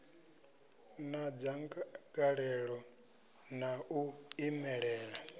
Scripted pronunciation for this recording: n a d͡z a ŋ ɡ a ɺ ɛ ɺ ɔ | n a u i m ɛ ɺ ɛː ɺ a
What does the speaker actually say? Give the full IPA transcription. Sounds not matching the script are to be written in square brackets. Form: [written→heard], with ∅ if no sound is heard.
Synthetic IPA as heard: n a d͡z a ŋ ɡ a ɺ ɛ ɺ ɔ | n a u i m ɛ ɺ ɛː ɺ a